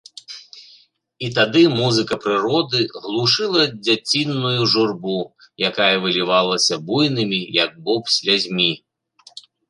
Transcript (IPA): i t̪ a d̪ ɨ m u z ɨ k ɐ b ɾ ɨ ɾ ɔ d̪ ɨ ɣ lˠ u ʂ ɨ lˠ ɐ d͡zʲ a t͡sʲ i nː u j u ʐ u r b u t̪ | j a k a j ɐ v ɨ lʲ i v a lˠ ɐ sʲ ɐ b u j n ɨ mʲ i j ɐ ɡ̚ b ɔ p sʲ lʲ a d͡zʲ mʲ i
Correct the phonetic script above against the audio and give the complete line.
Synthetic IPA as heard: i t̪ a d̪ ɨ m u z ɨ k ɐ p ɾ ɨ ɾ ɔ d̪ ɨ ɣ lˠ u ʂ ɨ lˠ ɐ d͡zʲ a t͡sʲ i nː u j u ʐ u r b u | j a k a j ɐ v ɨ lʲ i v a lˠ ɐ sʲ ɐ b u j n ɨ mʲ i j ɐ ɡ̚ b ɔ p sʲ lʲ a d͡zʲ mʲ i

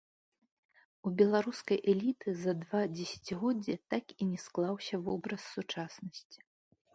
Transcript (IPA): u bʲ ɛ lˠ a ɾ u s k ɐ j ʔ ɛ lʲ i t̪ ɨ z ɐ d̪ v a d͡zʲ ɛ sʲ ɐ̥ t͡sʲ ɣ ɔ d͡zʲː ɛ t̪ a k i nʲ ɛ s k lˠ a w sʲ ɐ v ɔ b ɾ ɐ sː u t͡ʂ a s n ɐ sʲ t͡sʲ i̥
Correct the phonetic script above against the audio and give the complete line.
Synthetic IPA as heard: u bʲ ɛ lˠ a ɾ u s k ɐ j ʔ ɛ lʲ i t̪ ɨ z ɐ d̪ v a d͡zʲ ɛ sʲ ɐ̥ t͡sʲ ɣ ɔ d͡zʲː ɛ t̪ a k i nʲ ɛ s k lˠ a w sʲ ɐ v ɔ b ɾ ɐ sː u t͡ʂ a s n ɐ sʲ t͡sʲ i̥

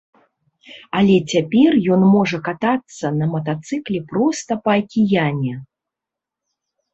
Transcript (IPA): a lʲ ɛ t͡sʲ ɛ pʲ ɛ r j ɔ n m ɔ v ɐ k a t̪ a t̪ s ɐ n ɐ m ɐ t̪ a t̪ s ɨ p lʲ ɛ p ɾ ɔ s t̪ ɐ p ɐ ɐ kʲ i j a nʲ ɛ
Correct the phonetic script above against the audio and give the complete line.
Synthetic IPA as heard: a lʲ ɛ t͡sʲ a pʲ ɛ r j ɔ n m ɔ ʐ ɐ k a t̪ a t̪ sː ɐ n ɐ m ɐ t̪ a t̪ s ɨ k lʲ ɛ p ɾ ɔ s t̪ ɐ p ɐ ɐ kʲ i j a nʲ ɛ

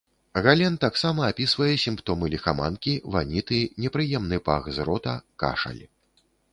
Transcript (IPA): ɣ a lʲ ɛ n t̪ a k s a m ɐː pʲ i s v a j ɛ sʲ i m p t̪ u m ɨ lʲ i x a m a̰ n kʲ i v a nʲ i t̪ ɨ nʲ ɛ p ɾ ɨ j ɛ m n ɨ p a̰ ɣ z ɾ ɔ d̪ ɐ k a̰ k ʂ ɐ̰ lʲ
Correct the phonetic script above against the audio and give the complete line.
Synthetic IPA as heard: ɣ a lʲ ɛ n t̪ a k s a m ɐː pʲ i s v ɐ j ɛ sʲ i m p t̪ ɔ m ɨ lʲ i x a m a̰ n kʲ i v a nʲ i t̪ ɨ nʲ ɛ p ɾ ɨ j ɛ m n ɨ p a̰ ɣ z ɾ ɔ t̪ ɐ k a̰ ʂ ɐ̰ lʲ

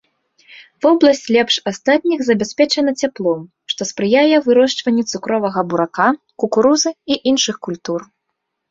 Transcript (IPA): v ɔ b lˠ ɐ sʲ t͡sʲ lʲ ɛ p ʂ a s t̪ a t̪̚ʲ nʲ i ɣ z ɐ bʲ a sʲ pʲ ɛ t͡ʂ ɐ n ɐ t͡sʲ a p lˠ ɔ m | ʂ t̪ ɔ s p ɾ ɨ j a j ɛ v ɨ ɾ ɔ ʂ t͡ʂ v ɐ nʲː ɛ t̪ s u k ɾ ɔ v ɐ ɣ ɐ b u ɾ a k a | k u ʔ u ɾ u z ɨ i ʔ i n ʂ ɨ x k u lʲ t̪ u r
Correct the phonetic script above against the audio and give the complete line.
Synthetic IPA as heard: v ɔ b lˠ ɐ sʲ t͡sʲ lʲ ɛ p ʂ a s t̪ a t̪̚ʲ nʲ i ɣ z ɐ bʲ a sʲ pʲ ɛ t͡ʂ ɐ n ɐ t͡sʲ a p lˠ ɔ m | ʂ t̪ ɔ s p ɾ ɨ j a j ɛ v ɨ ɾ ɔ ʂ t͡ʂ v ɐ nʲː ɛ t̪ s u k ɾ ɔ v ɐ ɣ ɐ b u ɾ a k a | k u k u ɾ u z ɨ i ʔ i n ʂ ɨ x k u lʲ t̪ u r

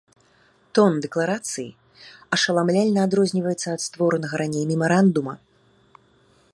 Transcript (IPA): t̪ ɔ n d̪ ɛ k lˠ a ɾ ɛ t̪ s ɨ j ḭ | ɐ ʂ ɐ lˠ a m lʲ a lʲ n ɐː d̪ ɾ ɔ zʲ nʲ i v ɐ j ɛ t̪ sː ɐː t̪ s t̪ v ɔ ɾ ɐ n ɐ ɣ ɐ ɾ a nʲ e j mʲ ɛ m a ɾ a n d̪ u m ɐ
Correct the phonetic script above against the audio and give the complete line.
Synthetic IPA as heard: t̪ ɔ n d̪ ɛ k lˠ a ɾ a t̪ s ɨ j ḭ | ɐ ʂ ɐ lˠ a m lʲ a lʲ n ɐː d̪ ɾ ɔ zʲ nʲ i v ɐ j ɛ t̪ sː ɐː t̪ s t̪ v ɔ ɾ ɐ n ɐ ɣ ɐ ɾ a nʲ e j mʲ ɛ m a ɾ a n d̪ u m ɐ

